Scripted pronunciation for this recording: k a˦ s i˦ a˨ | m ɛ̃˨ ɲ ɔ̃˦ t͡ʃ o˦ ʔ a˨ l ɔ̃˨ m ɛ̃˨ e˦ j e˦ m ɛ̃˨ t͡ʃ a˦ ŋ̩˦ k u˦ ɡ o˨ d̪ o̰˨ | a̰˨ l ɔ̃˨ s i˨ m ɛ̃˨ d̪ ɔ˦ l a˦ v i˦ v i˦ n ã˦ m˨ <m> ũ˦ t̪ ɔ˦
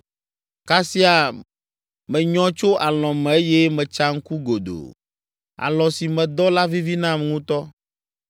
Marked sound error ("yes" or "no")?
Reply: yes